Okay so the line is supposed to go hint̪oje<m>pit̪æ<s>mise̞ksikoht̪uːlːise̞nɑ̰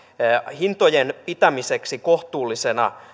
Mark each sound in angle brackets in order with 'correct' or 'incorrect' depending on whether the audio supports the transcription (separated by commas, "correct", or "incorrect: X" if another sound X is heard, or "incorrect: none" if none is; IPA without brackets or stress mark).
incorrect: n, incorrect: none